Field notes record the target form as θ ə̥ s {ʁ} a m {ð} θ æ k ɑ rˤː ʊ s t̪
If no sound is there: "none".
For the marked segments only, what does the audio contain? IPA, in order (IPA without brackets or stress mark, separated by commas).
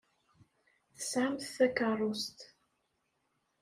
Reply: ʕ, θ